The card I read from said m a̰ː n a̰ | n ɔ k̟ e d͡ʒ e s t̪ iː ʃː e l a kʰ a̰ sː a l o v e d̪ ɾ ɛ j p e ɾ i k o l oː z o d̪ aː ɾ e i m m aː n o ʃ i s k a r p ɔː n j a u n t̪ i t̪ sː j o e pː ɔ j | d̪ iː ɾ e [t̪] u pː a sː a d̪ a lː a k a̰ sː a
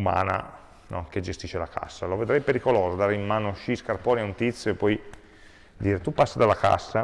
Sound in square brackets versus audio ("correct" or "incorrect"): correct